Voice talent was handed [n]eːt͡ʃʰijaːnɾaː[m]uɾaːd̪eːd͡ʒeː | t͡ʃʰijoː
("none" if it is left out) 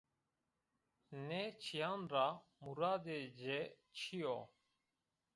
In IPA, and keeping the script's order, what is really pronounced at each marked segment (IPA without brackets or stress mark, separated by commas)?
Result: n, m